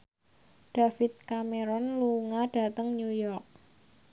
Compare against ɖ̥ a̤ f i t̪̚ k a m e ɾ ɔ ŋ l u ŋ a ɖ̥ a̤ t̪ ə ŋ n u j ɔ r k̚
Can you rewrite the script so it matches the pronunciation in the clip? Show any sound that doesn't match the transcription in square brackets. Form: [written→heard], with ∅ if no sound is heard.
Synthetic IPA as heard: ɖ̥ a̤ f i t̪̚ k a m e ɾ ɔ [ŋ→n] l u ŋ a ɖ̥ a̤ t̪ ə ŋ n u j ɔ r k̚

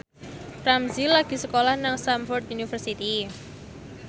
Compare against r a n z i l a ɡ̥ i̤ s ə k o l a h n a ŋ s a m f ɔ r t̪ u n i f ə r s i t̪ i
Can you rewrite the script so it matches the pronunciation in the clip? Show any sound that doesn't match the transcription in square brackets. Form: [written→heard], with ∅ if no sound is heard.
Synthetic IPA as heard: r a [n→m] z i l a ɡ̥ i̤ s ə k o l a h n a ŋ s a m f ɔ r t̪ u n i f ə r s i t̪ i

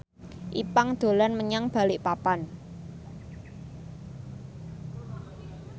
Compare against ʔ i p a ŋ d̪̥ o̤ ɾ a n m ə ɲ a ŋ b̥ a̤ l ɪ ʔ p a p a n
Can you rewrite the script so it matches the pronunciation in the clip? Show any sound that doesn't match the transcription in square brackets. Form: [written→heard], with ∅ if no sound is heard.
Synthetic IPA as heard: ʔ i p a ŋ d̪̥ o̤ [ɾ→l] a n m ə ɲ a ŋ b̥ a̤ l ɪ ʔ p a p a n

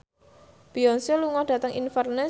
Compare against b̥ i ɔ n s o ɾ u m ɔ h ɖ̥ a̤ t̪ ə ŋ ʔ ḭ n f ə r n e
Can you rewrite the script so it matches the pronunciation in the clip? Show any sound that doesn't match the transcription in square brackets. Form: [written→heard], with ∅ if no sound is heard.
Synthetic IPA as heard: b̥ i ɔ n s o [ɾ→l] u [m→ŋ] ɔ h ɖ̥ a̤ t̪ ə ŋ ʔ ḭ n f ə r n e

